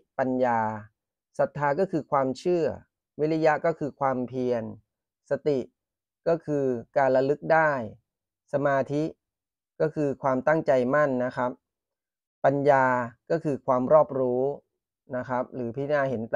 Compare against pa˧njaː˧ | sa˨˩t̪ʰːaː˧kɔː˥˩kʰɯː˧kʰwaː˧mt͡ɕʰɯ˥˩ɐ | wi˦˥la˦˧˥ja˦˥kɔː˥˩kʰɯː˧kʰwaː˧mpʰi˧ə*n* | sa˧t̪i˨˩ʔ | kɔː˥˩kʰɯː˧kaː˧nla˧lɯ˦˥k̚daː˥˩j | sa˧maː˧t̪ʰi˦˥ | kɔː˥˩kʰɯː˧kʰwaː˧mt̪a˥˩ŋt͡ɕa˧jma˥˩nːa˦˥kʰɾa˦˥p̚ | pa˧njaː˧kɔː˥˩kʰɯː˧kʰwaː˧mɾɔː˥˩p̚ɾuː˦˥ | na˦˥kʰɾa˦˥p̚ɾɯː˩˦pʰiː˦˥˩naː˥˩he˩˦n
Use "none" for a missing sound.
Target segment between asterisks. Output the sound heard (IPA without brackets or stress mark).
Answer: n